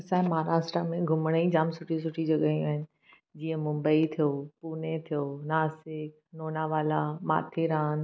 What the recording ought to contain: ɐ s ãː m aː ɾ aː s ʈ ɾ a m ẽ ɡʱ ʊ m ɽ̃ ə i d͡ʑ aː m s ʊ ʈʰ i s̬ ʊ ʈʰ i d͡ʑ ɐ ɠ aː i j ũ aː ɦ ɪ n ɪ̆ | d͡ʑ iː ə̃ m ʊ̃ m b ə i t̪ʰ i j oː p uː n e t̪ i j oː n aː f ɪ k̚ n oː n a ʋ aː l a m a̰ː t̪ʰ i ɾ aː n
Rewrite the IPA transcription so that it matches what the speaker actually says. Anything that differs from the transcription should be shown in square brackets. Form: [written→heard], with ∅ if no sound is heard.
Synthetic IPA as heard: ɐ s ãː m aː ɾ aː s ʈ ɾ a m ẽ ɡʱ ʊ m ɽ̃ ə i d͡ʑ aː m s ʊ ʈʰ i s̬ ʊ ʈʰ i d͡ʑ ɐ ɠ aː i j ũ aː ɦ ɪ n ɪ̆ | d͡ʑ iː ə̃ m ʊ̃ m b ə i t̪ʰ i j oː p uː n e [t̪→t̪ʰ] i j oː n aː [f→s] ɪ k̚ n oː n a ʋ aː l a m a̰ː t̪ʰ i ɾ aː n

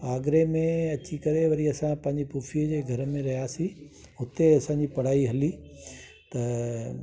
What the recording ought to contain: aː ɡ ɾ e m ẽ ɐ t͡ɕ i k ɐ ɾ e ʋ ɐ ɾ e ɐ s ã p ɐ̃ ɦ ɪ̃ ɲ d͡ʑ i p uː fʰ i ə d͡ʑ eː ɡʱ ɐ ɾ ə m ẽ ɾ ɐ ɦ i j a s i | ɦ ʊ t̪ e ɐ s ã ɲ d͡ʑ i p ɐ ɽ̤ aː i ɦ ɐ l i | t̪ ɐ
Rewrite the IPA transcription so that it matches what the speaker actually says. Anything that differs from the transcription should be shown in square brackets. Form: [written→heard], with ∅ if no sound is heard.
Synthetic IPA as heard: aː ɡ ɾ e m ẽ ɐ t͡ɕ i k ɐ ɾ e ʋ ɐ ɾ [e→i] ɐ s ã p ɐ̃ ɦ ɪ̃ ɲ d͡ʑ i p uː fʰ i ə d͡ʑ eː ɡʱ ɐ ɾ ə m ẽ ɾ ɐ ɦ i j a s i | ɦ ʊ t̪ e ɐ s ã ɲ d͡ʑ i p ɐ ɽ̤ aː i ɦ ɐ l i | t̪ ɐ

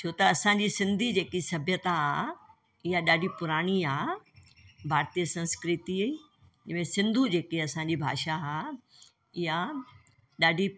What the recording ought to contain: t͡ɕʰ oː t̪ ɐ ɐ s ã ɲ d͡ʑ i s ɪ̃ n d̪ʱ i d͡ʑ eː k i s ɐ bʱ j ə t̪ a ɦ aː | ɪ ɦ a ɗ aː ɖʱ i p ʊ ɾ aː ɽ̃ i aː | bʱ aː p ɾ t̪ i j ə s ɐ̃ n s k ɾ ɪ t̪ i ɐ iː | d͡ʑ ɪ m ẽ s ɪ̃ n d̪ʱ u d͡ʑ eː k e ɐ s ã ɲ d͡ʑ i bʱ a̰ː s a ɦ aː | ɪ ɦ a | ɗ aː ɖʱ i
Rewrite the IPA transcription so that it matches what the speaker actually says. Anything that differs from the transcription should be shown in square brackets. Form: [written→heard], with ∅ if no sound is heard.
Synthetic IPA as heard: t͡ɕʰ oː t̪ ɐ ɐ s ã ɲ d͡ʑ i s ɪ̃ n d̪ʱ i d͡ʑ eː k i s ɐ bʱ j ə t̪ a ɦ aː | ɪ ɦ a ɗ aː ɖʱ i p ʊ ɾ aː ɽ̃ i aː | bʱ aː [p→∅] ɾ t̪ i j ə s ɐ̃ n s k ɾ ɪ t̪ i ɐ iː | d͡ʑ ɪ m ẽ s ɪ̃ n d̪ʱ u d͡ʑ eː k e ɐ s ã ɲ d͡ʑ i bʱ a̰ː [s→ʃ] a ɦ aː | ɪ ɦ a | ɗ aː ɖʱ i

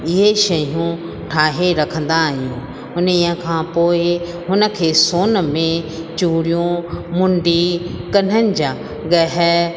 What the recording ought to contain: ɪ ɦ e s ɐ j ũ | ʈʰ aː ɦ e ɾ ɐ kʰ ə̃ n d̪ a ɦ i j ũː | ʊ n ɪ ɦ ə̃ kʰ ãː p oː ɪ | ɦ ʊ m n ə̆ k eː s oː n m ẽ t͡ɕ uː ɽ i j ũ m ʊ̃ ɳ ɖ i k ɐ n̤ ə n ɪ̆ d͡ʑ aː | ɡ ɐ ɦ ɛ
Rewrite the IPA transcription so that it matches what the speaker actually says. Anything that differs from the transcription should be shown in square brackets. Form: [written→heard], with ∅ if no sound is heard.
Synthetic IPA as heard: ɪ ɦ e [s→ʃ] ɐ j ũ | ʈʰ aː ɦ e ɾ ɐ kʰ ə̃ n d̪ a ɦ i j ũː | ʊ n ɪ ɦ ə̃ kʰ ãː p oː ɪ | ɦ ʊ [m→∅] n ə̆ [k→kʰ] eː s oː n m ẽ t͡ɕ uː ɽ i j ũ m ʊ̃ ɳ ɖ i k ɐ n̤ ə n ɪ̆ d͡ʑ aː | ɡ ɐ ɦ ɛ

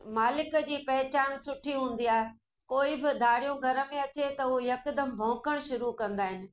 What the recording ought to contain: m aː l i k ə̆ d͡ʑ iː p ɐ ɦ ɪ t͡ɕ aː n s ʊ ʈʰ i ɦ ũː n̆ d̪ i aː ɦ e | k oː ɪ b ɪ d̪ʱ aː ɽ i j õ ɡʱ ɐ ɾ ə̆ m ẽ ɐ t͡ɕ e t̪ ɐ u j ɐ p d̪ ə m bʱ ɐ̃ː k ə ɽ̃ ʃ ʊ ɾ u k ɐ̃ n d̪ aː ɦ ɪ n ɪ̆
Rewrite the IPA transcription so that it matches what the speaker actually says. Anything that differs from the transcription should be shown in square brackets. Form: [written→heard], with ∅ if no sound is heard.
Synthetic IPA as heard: m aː l [i→ɪ] k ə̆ d͡ʑ iː p ɐ ɦ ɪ t͡ɕ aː n s ʊ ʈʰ i ɦ ũː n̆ d̪ i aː ɦ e | k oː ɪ b ɪ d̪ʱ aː ɽ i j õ ɡʱ ɐ ɾ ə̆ m ẽ ɐ t͡ɕ e t̪ ɐ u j ɐ [p→k] d̪ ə m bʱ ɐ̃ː k ə ɽ̃ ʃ ʊ ɾ u k ɐ̃ n d̪ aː ɦ ɪ n ɪ̆

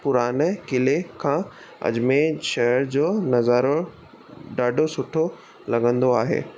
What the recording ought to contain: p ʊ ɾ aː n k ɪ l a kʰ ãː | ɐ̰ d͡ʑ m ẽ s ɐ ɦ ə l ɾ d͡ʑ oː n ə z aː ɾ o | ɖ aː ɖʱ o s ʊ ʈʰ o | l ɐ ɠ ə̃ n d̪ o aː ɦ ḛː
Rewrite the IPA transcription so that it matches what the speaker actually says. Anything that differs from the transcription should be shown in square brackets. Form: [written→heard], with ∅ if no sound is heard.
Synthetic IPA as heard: p ʊ ɾ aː n k ɪ l [a→e] kʰ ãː | ɐ̰ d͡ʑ m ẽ [s→ʃ] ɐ ɦ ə [l→∅] ɾ d͡ʑ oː n [ə→ɐ] z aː ɾ o | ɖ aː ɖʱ o s ʊ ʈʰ o | l ɐ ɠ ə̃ n d̪ o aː ɦ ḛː

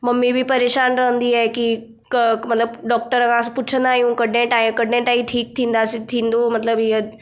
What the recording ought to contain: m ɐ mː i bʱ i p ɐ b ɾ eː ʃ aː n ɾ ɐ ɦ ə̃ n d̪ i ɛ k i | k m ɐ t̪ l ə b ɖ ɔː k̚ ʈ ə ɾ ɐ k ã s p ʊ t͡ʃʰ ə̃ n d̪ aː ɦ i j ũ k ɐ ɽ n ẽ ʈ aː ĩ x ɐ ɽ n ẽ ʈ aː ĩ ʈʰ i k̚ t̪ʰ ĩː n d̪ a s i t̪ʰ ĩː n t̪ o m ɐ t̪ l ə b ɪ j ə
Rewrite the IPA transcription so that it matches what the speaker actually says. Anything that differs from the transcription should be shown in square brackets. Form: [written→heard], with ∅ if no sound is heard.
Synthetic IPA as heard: m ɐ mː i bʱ i p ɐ [b→∅] ɾ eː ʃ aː n ɾ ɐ ɦ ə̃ n d̪ i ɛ k i | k m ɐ t̪ l ə b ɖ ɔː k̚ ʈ ə ɾ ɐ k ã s p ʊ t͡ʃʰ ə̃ n d̪ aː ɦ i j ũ k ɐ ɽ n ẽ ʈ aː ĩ [x→k] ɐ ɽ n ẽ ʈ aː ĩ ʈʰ [i→iː] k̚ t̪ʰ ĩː n d̪ a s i t̪ʰ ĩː n [t̪→d̪] o m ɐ t̪ l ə b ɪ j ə

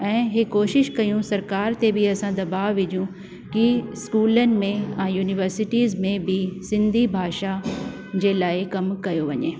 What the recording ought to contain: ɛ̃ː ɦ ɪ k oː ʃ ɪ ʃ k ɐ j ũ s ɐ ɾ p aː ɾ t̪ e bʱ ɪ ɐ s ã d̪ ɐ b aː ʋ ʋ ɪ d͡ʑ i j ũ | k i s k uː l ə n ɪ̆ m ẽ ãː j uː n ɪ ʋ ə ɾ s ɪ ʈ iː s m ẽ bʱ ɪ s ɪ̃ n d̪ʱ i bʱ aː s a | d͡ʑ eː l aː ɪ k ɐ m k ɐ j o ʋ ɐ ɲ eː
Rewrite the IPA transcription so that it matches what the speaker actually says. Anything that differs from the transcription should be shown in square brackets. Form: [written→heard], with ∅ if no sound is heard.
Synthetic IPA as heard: ɛ̃ː ɦ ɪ k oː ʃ ɪ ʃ k ɐ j ũ s ɐ ɾ [p→k] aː ɾ t̪ e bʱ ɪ ɐ s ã d̪ ɐ b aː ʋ ʋ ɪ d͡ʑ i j ũ | k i s k uː l ə n ɪ̆ m ẽ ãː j uː n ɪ ʋ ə ɾ s ɪ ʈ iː [s→z] m ẽ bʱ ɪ s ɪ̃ n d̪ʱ i bʱ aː [s→ʃ] a | d͡ʑ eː l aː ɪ k ɐ m k ɐ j o ʋ ɐ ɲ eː

